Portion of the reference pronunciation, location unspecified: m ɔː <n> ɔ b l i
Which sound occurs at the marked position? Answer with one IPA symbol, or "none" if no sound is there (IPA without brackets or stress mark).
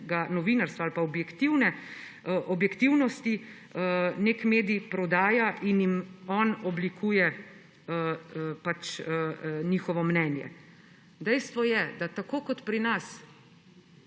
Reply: n